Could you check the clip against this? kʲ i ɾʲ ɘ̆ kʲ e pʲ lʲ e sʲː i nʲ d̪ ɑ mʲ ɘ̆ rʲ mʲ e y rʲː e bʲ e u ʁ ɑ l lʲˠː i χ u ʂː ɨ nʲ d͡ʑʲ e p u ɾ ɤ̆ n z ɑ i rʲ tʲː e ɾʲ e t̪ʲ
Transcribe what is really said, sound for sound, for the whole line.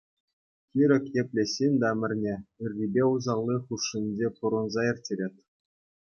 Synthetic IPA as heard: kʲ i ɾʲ ɘ̆ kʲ e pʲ lʲ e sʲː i nʲ d̪ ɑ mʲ ɘ̆ rʲ nʲ e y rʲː i bʲ e u z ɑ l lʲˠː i χ u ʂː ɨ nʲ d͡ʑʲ e p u ɾ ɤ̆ n z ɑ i rʲ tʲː e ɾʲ e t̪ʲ